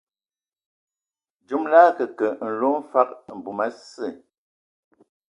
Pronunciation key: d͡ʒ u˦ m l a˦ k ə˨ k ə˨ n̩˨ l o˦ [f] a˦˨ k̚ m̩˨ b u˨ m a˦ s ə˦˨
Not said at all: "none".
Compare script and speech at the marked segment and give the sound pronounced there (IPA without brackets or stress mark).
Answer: f